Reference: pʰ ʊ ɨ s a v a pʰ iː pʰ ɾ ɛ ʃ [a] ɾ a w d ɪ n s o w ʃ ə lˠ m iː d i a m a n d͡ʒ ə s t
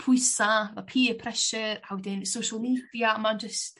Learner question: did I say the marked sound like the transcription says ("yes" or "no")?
no